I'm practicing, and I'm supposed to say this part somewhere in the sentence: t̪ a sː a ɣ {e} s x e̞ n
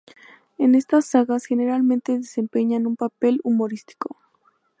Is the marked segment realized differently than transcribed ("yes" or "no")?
yes